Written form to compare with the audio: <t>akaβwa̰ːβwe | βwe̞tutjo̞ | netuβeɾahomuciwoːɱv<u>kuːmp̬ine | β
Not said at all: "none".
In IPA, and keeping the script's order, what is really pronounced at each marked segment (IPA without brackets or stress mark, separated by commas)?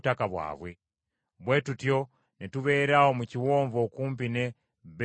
t, o